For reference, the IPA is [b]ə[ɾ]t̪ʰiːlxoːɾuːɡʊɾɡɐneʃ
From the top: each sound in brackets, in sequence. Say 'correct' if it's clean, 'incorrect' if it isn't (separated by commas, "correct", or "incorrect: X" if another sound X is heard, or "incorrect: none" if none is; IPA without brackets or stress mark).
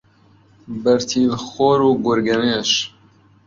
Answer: correct, correct